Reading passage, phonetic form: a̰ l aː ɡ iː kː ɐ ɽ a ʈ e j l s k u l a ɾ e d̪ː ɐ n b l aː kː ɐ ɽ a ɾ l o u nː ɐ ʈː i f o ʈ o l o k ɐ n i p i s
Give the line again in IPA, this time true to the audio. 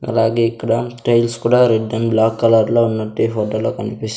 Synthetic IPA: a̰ l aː ɡ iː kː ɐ ɽ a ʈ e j l s k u ɽ a ɾ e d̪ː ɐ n b l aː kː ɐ l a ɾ l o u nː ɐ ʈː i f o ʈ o l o k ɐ n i p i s